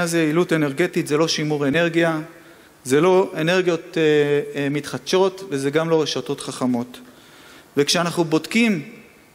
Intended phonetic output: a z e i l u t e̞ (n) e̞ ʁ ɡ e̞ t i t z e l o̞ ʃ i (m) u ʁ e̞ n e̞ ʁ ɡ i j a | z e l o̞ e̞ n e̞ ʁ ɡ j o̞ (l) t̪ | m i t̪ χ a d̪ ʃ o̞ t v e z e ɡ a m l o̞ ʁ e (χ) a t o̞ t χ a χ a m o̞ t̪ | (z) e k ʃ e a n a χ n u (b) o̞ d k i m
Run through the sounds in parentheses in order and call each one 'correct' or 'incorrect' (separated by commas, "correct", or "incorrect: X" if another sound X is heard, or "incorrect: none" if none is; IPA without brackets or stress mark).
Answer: correct, correct, incorrect: none, incorrect: ʃ, incorrect: v, correct